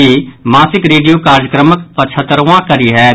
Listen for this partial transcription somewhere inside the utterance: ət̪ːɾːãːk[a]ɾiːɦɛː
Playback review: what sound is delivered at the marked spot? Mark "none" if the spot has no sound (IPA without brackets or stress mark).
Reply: ə